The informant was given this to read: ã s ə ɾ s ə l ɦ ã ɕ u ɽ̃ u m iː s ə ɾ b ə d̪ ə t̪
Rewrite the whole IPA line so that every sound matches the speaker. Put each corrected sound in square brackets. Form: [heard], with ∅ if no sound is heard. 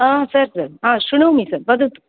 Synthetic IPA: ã s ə ɾ s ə [ɾ] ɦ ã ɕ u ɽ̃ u m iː s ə ɾ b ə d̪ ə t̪